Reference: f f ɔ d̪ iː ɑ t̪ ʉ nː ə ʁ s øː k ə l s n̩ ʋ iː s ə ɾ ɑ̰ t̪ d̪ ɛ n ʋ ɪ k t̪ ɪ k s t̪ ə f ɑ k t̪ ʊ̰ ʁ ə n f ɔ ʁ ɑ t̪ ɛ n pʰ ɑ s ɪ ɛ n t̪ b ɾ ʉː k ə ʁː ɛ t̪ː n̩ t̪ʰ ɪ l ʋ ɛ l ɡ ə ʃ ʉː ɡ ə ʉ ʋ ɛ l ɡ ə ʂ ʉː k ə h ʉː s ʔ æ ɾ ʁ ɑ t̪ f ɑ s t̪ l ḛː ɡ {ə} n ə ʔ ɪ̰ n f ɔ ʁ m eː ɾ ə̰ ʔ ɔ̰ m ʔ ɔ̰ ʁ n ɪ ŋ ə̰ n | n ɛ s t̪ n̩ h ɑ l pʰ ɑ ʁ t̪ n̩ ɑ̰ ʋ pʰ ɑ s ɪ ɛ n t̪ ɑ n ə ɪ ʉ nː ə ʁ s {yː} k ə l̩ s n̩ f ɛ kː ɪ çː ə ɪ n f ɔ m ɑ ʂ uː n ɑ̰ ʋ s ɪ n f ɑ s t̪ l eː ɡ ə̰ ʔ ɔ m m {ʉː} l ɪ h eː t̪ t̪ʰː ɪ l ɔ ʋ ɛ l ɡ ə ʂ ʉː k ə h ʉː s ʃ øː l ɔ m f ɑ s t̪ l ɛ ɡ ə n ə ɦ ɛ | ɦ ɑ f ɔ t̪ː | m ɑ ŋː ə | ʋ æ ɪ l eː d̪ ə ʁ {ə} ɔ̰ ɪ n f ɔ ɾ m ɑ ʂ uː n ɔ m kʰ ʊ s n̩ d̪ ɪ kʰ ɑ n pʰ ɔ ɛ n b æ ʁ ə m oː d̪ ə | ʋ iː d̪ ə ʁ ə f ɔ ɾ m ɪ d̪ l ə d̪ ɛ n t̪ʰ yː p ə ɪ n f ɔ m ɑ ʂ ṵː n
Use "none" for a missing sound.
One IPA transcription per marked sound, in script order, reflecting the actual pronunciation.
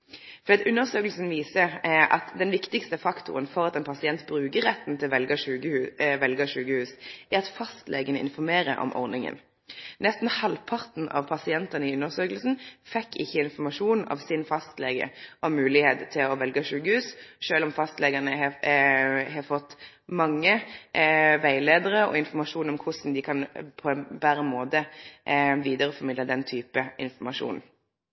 ə, øː, ʉː, ə

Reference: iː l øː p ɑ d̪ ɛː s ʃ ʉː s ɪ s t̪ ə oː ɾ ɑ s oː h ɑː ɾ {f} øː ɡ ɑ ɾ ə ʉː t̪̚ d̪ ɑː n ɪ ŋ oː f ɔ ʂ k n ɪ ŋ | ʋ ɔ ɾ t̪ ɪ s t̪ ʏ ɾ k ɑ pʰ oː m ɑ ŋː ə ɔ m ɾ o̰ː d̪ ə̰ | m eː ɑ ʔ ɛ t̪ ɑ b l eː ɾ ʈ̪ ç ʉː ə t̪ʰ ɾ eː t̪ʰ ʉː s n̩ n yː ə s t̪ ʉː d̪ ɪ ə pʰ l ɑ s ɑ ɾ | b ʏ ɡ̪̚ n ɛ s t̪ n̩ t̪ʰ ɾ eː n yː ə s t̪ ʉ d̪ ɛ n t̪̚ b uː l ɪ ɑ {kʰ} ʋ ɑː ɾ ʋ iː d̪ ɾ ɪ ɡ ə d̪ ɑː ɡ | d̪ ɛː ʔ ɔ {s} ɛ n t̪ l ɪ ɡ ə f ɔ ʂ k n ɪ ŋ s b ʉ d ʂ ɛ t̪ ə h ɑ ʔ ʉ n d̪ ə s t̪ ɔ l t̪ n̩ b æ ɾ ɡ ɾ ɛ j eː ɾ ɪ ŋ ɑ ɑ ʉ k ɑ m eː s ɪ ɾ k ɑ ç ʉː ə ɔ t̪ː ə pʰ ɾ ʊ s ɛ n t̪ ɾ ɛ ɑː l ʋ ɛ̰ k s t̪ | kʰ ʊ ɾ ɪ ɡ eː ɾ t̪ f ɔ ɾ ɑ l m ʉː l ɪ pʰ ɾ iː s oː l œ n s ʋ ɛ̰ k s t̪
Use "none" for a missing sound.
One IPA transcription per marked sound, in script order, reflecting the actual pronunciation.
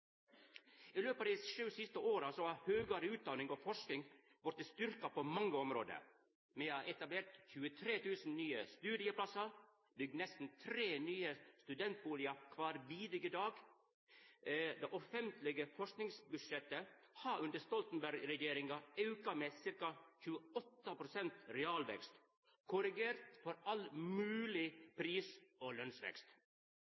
h, kʰ, f

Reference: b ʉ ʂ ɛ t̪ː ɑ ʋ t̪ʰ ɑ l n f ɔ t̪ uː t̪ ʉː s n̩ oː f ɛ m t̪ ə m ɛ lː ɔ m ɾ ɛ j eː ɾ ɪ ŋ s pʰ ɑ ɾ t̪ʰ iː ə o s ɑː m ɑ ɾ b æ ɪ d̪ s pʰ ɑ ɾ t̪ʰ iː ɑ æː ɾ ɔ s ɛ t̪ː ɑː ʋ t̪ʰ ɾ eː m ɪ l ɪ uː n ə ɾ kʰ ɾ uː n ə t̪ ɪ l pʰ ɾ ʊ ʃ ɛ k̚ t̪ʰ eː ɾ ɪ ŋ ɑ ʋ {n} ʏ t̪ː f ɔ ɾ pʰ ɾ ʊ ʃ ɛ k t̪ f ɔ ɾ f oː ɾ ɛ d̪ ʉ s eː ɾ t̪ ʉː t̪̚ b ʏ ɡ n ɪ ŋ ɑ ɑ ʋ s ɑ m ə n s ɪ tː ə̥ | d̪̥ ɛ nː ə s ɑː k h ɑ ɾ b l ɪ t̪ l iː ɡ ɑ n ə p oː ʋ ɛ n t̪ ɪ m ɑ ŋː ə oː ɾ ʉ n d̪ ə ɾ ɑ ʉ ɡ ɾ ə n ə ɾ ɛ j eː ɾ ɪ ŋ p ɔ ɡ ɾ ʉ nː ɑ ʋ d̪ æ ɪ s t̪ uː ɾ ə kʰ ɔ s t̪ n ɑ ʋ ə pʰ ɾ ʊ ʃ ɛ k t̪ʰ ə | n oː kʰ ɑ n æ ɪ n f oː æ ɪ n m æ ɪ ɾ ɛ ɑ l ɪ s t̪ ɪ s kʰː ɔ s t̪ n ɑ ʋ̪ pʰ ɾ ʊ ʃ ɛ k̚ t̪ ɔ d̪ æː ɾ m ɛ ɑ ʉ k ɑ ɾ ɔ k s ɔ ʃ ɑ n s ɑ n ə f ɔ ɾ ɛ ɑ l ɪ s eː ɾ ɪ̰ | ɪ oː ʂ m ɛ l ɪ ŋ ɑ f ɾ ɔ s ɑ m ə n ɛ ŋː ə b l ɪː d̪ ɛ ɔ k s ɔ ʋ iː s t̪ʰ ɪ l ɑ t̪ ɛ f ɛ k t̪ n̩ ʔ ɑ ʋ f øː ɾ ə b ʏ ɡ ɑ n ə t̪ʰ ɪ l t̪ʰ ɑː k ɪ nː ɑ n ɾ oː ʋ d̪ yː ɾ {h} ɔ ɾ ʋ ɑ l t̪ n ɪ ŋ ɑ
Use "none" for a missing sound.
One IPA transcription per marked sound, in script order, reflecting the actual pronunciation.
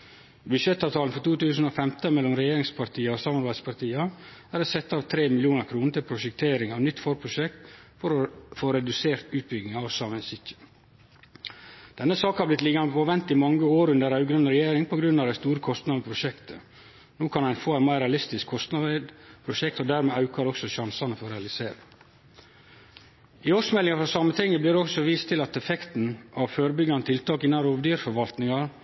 n, f

